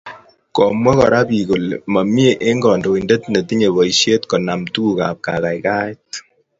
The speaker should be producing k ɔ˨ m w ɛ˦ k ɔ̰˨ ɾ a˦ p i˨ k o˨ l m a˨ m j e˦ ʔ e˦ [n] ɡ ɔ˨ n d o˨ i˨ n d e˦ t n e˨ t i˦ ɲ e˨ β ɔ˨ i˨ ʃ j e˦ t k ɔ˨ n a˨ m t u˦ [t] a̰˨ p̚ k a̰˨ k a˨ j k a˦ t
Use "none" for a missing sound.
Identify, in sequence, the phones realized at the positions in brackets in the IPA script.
ŋ, k

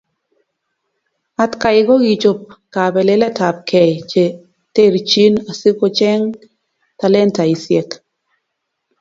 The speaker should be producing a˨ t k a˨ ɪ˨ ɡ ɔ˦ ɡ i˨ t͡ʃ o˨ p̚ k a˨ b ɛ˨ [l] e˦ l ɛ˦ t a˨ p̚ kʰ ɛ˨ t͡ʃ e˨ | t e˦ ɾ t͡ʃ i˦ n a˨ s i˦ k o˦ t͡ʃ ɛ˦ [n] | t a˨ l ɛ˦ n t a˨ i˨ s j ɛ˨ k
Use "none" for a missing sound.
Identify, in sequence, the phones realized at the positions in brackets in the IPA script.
l, ŋ

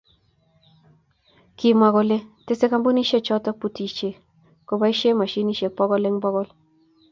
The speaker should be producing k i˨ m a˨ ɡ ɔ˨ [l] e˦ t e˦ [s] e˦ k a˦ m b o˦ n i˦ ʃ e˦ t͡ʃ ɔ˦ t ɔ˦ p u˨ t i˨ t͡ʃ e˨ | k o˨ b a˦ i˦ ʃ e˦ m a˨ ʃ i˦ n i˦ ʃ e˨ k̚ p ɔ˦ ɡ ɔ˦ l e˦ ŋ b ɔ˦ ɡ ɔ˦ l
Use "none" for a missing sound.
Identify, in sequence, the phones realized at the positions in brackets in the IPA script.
l, s

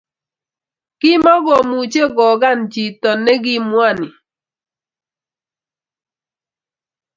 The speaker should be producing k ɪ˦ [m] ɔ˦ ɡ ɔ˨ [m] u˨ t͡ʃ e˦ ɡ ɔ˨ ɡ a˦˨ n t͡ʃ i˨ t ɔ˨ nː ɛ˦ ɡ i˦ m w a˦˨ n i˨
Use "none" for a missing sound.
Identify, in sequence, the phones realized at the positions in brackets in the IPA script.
m, m

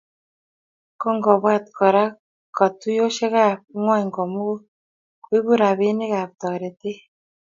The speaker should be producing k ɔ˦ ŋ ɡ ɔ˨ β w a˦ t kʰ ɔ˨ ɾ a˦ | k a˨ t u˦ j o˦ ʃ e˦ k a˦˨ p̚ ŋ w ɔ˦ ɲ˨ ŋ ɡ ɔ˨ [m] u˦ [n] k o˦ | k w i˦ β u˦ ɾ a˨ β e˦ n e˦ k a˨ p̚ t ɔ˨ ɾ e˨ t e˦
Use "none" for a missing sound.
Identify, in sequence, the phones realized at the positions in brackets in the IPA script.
m, none

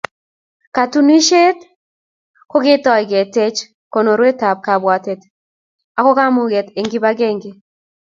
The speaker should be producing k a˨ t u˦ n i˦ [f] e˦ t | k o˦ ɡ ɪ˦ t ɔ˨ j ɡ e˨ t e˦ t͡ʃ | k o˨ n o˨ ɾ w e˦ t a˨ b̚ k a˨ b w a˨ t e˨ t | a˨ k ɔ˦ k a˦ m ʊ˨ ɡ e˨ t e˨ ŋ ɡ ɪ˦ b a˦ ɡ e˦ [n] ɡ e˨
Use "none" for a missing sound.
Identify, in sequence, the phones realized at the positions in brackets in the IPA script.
ʃ, ŋ

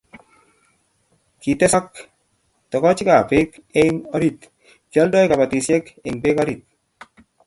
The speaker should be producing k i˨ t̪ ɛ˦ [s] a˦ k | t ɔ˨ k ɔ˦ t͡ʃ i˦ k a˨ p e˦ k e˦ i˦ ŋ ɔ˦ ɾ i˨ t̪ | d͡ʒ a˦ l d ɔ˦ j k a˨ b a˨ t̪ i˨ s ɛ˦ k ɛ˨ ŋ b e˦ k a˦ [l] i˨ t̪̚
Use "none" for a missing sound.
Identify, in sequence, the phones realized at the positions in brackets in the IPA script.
s, ɾ

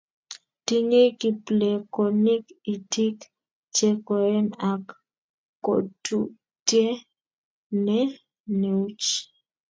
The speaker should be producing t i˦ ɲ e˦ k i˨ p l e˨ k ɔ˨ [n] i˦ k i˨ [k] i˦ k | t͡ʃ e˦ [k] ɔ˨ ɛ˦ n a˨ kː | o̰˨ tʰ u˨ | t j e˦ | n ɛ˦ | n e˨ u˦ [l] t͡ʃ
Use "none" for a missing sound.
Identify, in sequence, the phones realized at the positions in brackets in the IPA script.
n, t, k, none

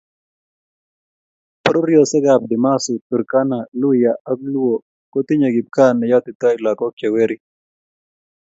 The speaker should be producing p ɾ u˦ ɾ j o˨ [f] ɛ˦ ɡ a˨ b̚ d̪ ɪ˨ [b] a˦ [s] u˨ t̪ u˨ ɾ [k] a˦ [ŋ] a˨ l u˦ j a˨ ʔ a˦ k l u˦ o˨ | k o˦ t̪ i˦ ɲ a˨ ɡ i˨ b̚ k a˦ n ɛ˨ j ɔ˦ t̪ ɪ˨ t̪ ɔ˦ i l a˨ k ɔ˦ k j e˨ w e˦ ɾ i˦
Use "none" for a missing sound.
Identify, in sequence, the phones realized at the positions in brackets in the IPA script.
s, m, s, k, n

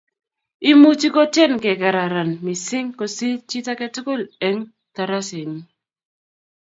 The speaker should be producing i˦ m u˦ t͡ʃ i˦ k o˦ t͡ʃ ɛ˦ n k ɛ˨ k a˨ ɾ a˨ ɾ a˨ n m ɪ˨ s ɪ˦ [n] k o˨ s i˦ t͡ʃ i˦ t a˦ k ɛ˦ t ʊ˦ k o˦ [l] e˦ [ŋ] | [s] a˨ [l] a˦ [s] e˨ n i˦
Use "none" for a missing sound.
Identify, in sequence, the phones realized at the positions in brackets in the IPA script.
ŋ, l, ŋ, t, ɾ, s

